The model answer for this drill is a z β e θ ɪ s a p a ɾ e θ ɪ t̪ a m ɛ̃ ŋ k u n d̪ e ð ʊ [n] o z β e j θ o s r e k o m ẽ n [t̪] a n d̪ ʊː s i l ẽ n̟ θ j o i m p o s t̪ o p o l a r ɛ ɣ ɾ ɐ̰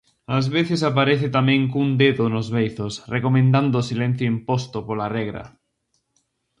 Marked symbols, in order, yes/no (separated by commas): yes, no